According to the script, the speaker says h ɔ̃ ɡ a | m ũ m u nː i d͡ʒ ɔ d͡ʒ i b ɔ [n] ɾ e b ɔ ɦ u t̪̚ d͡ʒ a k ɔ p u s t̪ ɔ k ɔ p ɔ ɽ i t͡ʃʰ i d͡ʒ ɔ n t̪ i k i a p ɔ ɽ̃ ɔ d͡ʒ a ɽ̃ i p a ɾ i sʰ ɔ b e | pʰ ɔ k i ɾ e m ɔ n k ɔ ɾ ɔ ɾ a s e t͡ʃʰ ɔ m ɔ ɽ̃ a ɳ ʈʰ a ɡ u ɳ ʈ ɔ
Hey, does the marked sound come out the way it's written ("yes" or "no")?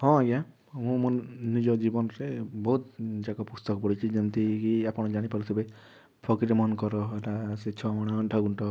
yes